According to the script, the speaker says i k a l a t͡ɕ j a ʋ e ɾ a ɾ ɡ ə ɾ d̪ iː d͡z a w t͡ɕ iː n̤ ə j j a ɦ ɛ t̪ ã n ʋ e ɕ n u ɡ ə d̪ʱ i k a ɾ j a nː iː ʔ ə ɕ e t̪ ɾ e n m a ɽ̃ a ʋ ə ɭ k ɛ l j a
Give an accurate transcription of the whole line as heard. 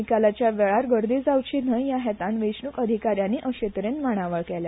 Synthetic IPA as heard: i k a l a t͡ɕ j a ʋ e ɭ a ɾ ɡ ə ɾ d̪ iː d͡z a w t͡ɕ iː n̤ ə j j a ɦ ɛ t̪ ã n ʋ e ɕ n u k ə d̪ʱ i k a ɾ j a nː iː ʔ ə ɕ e t̪ ɾ e n m a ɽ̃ a ʋ ə ɭ k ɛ l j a